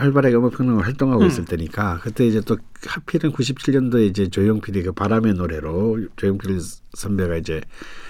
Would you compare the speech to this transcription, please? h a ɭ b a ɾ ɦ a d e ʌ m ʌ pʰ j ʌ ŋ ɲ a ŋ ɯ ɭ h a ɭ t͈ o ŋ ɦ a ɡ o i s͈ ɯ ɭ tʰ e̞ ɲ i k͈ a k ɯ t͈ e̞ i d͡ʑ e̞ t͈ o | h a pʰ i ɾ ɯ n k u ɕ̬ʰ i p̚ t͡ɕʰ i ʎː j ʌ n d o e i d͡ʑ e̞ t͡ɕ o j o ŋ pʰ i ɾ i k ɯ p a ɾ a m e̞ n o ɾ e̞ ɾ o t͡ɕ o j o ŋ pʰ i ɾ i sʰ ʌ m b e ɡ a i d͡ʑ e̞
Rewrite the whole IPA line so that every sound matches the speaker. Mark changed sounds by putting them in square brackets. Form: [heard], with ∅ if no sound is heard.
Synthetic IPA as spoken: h a ɭ b a ɾ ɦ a [ɡ] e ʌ m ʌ pʰ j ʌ ŋ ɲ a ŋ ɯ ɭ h a ɭ t͈ o ŋ ɦ a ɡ o i s͈ ɯ ɭ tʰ e̞ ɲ i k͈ a k ɯ t͈ e̞ i d͡ʑ e̞ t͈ o | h a pʰ i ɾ ɯ n k u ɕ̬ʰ i p̚ t͡ɕʰ i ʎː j ʌ n d o e i d͡ʑ e̞ t͡ɕ o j o ŋ pʰ i ɾ i k ɯ p a ɾ a m e̞ n o ɾ e̞ ɾ o t͡ɕ o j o ŋ pʰ i ɾ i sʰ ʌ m b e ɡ a i d͡ʑ e̞